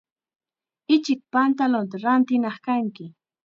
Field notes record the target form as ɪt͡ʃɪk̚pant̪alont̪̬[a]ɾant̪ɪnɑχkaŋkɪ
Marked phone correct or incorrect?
correct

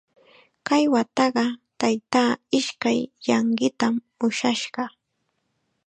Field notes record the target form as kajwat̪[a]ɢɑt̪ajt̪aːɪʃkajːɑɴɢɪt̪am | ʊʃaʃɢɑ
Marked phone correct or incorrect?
incorrect: ɑ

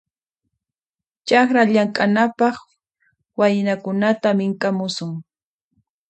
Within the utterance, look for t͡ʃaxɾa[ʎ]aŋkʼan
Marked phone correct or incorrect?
correct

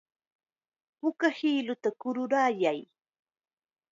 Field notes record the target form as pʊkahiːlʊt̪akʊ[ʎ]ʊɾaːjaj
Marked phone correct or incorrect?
incorrect: ɾ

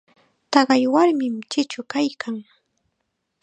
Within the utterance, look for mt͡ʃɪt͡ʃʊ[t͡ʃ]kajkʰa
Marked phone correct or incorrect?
incorrect: none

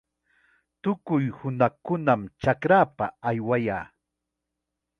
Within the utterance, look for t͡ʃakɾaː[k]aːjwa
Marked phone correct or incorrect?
incorrect: p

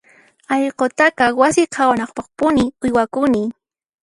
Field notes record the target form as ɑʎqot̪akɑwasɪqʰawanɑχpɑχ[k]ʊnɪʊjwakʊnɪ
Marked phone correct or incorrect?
incorrect: p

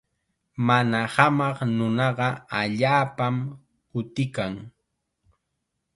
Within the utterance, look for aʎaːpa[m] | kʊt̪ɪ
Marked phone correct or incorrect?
correct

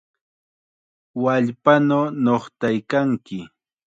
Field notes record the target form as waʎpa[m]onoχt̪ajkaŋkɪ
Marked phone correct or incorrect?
incorrect: n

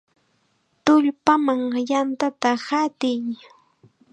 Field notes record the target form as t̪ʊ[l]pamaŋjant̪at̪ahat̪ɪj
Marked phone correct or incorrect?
incorrect: ʎ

